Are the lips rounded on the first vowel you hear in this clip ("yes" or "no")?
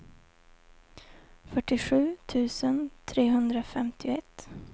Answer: yes